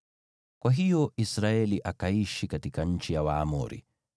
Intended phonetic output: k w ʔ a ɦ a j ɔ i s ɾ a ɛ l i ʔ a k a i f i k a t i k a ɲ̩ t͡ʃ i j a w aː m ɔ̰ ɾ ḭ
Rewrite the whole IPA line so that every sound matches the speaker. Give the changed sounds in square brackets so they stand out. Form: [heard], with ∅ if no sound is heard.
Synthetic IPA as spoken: k w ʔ a ɦ [i] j ɔ i s ɾ a ɛ l i ʔ a k a i [ʃ] i k a t i k a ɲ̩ t͡ʃ i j a w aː m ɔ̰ ɾ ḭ

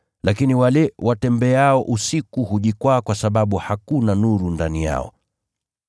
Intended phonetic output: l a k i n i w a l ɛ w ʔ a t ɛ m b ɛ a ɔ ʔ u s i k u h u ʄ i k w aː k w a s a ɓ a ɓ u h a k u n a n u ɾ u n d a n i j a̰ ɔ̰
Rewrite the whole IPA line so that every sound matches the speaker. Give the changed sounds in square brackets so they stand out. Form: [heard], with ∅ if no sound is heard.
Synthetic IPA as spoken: l a k i n i w a l ɛ w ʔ a t ɛ m b ɛ a ɔ ʔ u s i k u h u ʄ i k w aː k w a s a ɓ a ɓ u h a k u n a n u ɾ u n d a n i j a̰ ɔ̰

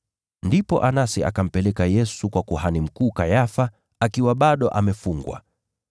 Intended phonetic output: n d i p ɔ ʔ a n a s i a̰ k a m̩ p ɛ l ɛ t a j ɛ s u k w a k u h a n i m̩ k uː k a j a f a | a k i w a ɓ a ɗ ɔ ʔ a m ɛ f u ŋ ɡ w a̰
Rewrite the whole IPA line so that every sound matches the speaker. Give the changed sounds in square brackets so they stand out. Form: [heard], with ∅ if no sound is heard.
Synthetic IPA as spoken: n d i p ɔ ʔ a n a s i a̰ k a m̩ p ɛ l ɛ [k] a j ɛ s u k w a k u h a n i m̩ k uː k a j a f a | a k i w a ɓ a ɗ ɔ ʔ a m ɛ f u ŋ ɡ w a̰

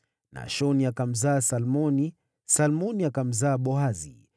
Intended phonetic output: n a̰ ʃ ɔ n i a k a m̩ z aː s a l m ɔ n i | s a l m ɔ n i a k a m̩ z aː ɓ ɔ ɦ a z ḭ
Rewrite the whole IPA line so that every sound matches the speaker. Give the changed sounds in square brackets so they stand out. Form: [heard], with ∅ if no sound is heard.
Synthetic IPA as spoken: n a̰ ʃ ɔ n i a k a m̩ z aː s a l m ɔ n i | s a l m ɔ n i a k a m̩ z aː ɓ ɔ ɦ a z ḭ

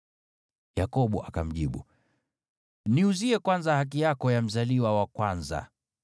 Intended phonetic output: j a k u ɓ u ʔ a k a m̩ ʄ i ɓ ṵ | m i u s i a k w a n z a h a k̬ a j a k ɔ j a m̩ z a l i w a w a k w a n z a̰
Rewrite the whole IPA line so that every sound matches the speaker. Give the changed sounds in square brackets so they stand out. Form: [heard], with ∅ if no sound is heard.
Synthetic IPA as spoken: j a k [ɔ] ɓ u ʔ a k a m̩ ʄ i ɓ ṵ | [n] i u [z] i [ɛ] k w a n z a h a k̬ [i] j a k ɔ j a m̩ z a l i w a w a k w a n z a̰

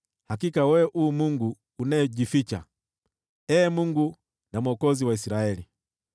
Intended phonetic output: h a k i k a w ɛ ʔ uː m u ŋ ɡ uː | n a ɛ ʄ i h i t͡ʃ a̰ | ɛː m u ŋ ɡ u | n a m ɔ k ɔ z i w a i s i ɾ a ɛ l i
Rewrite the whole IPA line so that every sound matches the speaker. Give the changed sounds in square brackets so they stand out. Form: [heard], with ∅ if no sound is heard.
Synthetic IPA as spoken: h a k i k a w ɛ ʔ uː m u ŋ ɡ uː | n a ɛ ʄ i [f] i t͡ʃ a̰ | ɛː m u ŋ ɡ u | n a m ɔ k ɔ z i w a i s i ɾ a ɛ l i

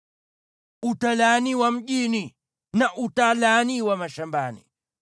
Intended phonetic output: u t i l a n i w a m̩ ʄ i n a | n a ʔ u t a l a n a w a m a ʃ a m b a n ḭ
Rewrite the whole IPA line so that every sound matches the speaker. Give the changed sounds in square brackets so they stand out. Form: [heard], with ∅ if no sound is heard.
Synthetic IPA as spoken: u t [a] l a n i w a m̩ ʄ i n [i] | n a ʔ u t a l a n [i] w a m a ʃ a m b a n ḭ

